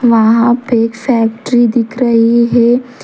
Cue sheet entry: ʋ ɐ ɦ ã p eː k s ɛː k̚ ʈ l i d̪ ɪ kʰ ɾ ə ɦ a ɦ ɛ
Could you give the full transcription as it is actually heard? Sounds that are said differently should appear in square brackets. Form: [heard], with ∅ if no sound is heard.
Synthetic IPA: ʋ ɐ ɦ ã p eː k [f] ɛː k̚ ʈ [ɾ] i d̪ ɪ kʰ ɾ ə ɦ [i] ɦ ɛ

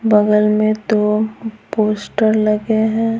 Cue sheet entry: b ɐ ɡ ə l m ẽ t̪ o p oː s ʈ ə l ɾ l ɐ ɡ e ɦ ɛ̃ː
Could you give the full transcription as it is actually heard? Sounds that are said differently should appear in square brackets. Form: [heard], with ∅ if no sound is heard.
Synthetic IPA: b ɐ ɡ ə l m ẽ t̪ o p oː s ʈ ə [∅] ɾ l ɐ ɡ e ɦ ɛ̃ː

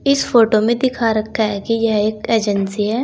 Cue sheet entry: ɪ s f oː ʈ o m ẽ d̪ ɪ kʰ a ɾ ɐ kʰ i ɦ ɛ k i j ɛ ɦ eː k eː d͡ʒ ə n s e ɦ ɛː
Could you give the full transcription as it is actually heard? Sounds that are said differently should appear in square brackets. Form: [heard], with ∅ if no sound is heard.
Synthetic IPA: ɪ s f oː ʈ o m ẽ d̪ ɪ kʰ a ɾ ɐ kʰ [a] ɦ ɛ k i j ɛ ɦ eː k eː d͡ʒ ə n s [i] ɦ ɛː

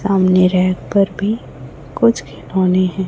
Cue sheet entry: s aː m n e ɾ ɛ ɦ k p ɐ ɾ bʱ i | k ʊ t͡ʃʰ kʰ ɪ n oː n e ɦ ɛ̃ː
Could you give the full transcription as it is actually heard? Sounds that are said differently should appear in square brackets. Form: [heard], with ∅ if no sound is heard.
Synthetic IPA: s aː m n e ɾ ɛ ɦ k p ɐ ɾ bʱ i | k ʊ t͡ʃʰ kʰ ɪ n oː n e ɦ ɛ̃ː

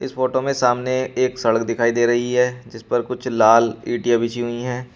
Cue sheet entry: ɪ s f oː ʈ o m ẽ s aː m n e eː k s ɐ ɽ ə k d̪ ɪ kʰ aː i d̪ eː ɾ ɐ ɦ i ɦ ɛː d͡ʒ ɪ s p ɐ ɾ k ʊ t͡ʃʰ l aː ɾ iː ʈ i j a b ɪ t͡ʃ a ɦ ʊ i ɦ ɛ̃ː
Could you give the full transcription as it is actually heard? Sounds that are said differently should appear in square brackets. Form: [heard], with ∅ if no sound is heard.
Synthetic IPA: ɪ s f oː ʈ o m ẽ s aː m n e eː k s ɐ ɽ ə k d̪ ɪ kʰ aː i d̪ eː ɾ ɐ ɦ i ɦ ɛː d͡ʒ ɪ s p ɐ ɾ k ʊ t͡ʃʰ l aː [l] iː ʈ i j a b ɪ t͡ʃ [i] ɦ ʊ i ɦ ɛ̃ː

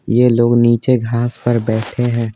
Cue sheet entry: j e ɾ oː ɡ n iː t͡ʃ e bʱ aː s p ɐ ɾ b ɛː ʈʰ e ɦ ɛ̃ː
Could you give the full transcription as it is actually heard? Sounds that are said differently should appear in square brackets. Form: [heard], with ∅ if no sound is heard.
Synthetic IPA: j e [l] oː ɡ n iː t͡ʃ e [ɡʱ] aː s p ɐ ɾ b ɛː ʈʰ e ɦ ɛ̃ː

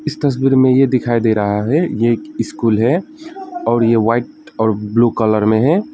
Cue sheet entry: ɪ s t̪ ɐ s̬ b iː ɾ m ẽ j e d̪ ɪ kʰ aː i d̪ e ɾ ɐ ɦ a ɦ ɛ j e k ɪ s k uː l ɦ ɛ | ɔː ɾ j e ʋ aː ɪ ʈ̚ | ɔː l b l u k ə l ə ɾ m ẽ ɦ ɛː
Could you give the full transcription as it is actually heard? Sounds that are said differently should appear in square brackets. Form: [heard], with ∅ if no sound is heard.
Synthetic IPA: ɪ s t̪ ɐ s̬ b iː ɾ m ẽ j e d̪ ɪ kʰ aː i d̪ e ɾ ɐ ɦ a ɦ ɛ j e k ɪ s k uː l ɦ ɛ | ɔː ɾ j e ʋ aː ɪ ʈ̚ | ɔː [ɾ] b l u k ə l ə ɾ m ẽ ɦ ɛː

